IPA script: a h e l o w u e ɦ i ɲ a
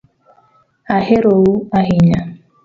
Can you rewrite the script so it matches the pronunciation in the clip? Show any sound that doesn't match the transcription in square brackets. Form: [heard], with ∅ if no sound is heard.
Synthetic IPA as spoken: a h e [ɾ] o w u [a] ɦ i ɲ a